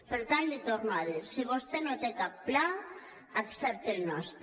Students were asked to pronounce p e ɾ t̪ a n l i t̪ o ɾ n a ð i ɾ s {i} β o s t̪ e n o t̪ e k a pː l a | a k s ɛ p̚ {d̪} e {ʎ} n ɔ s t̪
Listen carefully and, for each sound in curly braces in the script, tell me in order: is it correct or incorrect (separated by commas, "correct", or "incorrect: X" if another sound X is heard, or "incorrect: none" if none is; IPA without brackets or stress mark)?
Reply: correct, incorrect: t̪, incorrect: l